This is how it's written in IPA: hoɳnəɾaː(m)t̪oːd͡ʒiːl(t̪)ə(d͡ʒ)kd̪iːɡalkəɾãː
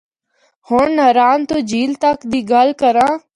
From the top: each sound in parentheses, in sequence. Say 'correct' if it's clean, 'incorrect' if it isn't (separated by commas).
incorrect, correct, incorrect